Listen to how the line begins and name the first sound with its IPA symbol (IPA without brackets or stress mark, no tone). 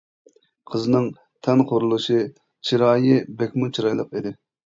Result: qʰ